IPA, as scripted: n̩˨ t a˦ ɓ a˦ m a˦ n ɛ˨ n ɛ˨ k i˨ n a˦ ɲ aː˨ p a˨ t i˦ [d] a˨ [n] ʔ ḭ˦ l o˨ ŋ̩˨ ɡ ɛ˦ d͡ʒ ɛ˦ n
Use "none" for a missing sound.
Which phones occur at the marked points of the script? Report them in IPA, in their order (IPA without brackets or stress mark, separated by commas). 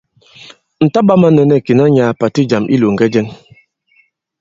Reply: d͡ʒ, m